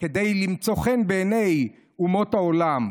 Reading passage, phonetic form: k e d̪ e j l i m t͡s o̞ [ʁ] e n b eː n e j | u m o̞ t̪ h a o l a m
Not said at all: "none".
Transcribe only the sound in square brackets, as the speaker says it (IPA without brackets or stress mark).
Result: χ